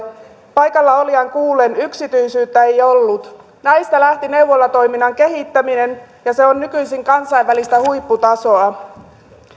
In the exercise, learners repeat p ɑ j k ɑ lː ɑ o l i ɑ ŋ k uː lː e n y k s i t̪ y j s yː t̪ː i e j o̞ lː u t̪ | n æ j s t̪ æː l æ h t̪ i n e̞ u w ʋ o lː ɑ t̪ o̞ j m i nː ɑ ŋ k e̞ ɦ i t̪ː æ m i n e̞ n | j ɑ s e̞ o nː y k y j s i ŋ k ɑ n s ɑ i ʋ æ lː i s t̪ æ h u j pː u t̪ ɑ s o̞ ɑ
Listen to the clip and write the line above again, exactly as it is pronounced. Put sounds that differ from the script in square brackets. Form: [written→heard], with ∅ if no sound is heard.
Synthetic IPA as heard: p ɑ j k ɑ lː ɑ o l i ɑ ŋ k uː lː e n y k s i t̪ y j s yː t̪ː [i→æ] e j o̞ lː u t̪ | n æ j s t̪ [æː→æ] l æ h t̪ i n e̞ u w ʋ o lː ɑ t̪ o̞ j m i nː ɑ ŋ k e̞ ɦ i t̪ː æ m i n e̞ n | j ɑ s e̞ o nː y k y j s i ŋ k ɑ n s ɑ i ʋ æ [lː→l] i s t̪ æ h u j pː u t̪ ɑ s o̞ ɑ